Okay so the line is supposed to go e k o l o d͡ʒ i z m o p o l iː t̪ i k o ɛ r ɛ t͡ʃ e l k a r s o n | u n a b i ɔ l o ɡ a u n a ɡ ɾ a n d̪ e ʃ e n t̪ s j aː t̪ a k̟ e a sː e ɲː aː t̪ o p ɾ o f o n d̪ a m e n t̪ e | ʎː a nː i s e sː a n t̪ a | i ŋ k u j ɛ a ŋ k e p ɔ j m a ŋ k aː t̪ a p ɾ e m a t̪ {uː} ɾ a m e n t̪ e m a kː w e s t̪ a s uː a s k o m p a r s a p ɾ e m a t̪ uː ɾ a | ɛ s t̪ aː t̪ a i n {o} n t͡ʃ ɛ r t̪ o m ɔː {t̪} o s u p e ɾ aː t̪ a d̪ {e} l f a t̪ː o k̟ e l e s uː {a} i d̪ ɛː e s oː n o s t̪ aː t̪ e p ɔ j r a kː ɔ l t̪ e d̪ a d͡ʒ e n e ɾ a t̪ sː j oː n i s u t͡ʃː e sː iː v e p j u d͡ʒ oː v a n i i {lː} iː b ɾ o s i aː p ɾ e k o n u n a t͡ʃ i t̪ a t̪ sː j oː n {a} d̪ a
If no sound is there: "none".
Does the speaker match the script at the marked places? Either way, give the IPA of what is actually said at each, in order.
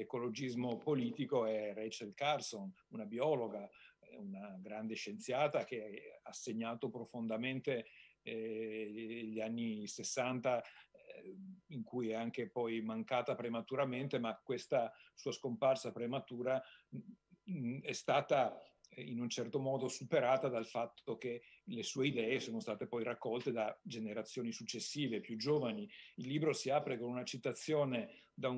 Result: u, u, d̪, a, e, lː, e

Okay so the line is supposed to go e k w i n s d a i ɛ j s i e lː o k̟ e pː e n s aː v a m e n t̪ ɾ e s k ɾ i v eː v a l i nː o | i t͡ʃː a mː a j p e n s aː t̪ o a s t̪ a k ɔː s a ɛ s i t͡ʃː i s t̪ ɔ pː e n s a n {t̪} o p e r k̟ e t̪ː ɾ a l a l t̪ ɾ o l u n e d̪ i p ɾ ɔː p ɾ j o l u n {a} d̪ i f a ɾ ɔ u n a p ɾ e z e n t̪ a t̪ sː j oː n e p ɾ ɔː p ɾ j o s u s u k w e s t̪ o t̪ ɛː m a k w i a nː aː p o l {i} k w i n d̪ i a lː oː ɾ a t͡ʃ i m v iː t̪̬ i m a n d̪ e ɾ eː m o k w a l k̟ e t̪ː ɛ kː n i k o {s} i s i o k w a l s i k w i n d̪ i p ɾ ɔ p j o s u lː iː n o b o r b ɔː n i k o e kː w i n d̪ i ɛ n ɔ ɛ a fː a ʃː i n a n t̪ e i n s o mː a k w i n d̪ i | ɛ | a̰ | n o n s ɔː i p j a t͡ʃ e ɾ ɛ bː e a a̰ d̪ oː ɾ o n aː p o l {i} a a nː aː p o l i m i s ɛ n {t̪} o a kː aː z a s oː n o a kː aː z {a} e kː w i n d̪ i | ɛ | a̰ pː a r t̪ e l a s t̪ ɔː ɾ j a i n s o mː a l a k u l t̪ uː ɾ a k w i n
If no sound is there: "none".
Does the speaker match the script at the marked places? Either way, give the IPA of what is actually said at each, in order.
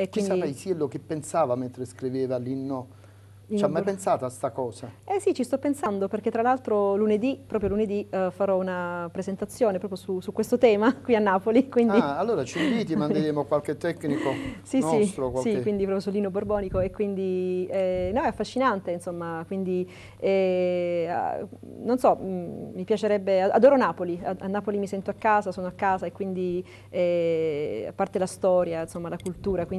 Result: d̪, e, i, s, i, t̪, a

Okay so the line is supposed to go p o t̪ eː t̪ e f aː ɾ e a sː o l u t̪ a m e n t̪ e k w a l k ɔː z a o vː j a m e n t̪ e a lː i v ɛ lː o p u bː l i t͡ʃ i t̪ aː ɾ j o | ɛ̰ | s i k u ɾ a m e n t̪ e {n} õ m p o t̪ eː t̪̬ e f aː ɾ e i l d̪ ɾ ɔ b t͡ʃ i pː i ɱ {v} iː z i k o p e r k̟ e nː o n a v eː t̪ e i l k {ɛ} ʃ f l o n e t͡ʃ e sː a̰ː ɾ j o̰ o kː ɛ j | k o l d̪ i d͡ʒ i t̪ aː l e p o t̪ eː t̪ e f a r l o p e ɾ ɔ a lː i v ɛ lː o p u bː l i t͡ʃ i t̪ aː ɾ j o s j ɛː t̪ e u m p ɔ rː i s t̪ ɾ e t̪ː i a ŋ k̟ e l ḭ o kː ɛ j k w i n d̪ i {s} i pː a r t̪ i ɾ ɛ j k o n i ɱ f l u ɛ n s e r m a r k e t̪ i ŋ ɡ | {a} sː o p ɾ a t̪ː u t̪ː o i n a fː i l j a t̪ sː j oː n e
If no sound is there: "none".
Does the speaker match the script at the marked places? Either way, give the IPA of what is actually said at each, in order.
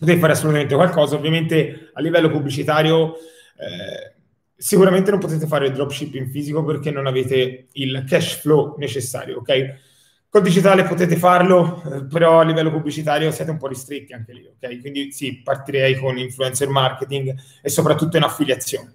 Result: n, f, ɛ, s, e

